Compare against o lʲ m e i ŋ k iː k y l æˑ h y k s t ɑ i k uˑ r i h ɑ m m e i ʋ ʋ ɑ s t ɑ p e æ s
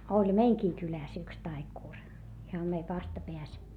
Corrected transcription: o lʲ m e i ŋ k iː k y l æˑ s y k s t ɑ i k uˑ r i h ɑ m m e i ʋ ʋ ɑ s t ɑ p e æ s